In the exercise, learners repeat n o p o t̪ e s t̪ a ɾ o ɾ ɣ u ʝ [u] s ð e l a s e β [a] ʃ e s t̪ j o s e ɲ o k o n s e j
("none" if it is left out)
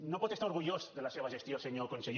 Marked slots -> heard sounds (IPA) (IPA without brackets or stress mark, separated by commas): o, a